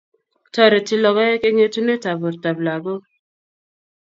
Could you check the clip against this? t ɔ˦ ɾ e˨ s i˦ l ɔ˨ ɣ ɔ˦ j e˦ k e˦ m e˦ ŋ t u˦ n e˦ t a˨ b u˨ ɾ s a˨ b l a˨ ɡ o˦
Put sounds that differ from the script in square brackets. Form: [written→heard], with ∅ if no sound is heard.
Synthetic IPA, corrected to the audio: t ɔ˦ ɾ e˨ [s→t] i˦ l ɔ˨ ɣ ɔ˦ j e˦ k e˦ [m→ŋ] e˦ [ŋ→∅] t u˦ n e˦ t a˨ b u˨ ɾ [s→t] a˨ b l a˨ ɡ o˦